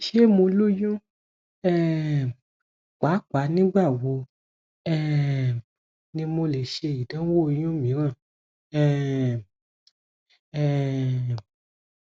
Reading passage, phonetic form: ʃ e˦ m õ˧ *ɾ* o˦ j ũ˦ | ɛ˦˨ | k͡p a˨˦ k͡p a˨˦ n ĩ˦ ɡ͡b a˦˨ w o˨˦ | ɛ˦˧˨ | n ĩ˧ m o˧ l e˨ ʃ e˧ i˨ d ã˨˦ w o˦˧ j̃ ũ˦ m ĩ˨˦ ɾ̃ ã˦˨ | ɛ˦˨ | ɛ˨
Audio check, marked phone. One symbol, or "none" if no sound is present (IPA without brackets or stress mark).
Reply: l